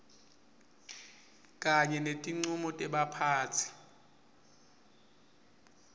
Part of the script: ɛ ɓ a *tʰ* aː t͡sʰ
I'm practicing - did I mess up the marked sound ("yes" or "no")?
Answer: yes